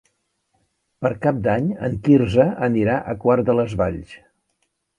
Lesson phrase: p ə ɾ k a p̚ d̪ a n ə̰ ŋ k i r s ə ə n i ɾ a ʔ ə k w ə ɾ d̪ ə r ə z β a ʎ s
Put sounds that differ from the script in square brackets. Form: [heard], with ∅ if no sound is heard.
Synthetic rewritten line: p ə ɾ k a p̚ d̪ a [ɲ] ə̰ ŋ k i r [z] ə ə n i ɾ a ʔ ə k w [a] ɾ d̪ ə [l] ə z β a ʎ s